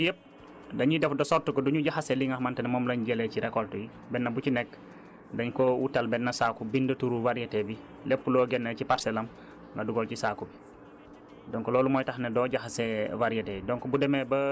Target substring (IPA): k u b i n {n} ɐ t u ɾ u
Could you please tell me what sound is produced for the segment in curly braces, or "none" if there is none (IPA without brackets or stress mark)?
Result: d